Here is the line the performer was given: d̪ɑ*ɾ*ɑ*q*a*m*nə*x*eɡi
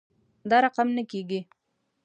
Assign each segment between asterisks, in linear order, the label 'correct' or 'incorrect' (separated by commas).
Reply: correct, correct, correct, incorrect